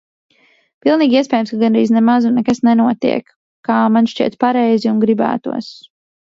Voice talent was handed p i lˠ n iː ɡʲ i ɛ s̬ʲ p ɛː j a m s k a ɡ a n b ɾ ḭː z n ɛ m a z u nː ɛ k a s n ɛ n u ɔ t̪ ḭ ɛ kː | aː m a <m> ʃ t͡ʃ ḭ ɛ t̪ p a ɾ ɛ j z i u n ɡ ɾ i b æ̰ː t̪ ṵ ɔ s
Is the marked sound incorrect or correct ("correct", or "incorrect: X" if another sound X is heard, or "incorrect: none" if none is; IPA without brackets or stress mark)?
incorrect: n